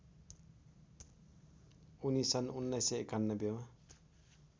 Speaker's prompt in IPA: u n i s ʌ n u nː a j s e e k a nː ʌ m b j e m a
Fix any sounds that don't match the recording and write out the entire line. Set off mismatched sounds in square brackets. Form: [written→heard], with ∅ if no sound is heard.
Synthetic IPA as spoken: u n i s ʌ n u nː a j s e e k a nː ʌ [m→∅] b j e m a